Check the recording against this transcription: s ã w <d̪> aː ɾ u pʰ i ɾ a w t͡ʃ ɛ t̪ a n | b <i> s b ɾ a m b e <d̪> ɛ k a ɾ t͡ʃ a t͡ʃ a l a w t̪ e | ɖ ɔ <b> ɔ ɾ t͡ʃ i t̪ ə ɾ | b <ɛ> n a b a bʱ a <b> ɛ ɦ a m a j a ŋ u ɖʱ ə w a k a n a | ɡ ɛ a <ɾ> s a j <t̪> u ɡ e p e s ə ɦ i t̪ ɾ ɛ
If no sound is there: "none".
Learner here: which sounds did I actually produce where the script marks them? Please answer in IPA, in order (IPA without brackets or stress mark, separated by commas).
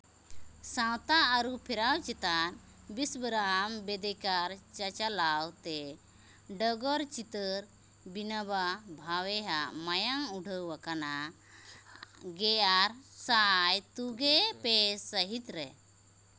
t̪, i, d̪, ɡ, i, w, ɾ, t̪